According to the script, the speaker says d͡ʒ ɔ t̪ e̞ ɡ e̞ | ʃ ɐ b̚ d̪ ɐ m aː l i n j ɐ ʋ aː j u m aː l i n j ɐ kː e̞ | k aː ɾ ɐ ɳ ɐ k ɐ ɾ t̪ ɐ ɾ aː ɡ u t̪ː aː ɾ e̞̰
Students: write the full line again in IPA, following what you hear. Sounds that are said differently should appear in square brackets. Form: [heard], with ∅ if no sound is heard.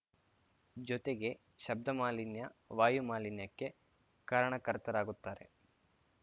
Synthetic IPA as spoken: d͡ʒ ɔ t̪ e̞ ɡ e̞ | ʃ ɐ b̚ d̪ ɐ m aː l i n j ɐ ʋ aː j u m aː l i n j ɐ kː e̞ | k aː ɾ ɐ ɳ ɐ k ɐ ɾ t̪ ɐ ɾ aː ɡ u t̪ː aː ɾ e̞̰